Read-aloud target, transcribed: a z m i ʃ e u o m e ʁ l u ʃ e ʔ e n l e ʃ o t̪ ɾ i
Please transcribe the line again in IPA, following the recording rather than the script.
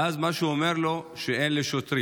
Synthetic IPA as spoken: a z m a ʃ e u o m e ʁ l o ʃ e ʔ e n l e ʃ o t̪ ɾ i